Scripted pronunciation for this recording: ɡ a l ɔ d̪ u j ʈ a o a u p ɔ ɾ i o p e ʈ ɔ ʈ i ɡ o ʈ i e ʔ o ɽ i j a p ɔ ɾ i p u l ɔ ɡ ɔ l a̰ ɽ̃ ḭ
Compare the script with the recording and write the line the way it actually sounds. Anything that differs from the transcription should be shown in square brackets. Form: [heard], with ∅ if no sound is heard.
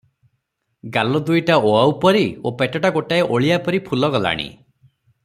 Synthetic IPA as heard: ɡ a l ɔ d̪ u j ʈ a o a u p ɔ ɾ i o p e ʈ ɔ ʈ [a] ɡ o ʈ [a] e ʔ o [ɭ] i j a p ɔ ɾ i [pʰ] u l ɔ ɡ ɔ l a̰ ɽ̃ ḭ

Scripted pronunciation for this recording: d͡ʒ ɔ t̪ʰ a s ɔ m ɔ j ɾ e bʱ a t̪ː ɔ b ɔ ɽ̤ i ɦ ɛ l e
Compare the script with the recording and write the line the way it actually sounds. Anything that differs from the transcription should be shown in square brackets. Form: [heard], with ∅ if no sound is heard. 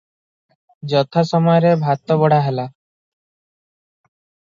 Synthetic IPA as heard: d͡ʒ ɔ t̪ʰ a s ɔ m ɔ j ɾ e bʱ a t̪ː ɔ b ɔ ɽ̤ [a] ɦ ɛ l [a]

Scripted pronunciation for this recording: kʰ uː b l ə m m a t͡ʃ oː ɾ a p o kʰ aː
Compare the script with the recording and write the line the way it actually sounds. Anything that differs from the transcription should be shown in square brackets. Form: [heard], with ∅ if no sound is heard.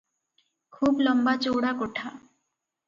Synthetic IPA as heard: kʰ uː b l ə m [b] a t͡ʃ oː [ɽ] a [k] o [ʈʰ] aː

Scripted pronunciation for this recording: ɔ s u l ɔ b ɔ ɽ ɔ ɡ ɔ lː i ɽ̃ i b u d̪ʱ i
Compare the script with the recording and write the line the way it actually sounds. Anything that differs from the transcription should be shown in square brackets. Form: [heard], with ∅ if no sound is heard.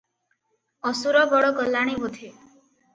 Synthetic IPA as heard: ɔ s u [ɾ] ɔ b ɔ ɽ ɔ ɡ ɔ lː [a] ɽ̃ i b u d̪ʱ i

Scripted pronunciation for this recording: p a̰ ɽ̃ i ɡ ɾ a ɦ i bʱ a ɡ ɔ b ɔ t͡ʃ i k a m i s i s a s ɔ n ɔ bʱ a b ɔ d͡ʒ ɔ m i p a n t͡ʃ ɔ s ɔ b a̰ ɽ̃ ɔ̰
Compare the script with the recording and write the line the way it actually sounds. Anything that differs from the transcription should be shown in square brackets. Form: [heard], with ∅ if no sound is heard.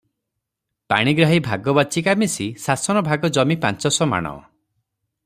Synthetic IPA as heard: p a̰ ɽ̃ i ɡ ɾ a ɦ i bʱ a ɡ ɔ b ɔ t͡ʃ i k a m i s i s a s ɔ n ɔ bʱ a [ɡ] ɔ d͡ʒ ɔ m i p a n t͡ʃ ɔ s ɔ [m] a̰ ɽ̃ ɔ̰

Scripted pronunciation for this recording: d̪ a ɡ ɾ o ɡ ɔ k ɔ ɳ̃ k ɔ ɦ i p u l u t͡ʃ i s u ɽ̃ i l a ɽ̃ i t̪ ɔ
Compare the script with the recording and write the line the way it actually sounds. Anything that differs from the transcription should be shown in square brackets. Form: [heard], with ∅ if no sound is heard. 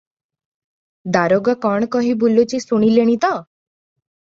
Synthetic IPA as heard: d̪ a [∅] ɾ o ɡ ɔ k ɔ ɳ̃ k ɔ ɦ i [b] u l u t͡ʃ i s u ɽ̃ i l [e] ɽ̃ i t̪ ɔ

